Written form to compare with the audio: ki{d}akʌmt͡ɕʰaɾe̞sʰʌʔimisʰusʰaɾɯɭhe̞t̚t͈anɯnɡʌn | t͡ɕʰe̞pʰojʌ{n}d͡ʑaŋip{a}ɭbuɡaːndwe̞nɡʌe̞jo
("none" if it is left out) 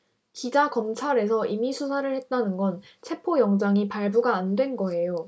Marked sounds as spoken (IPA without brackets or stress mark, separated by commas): d͡ʑ, ŋ, a